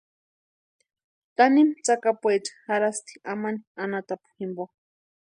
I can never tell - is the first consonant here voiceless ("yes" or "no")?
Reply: yes